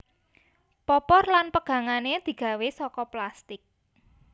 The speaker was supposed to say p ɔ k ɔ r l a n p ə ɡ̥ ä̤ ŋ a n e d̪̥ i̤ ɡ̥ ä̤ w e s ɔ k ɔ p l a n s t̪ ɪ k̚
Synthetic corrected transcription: p ɔ p ɔ r l a n p ə ɡ̥ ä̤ ŋ a n e d̪̥ i̤ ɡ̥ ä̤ w e s ɔ k ɔ p l a s t̪ ɪ k̚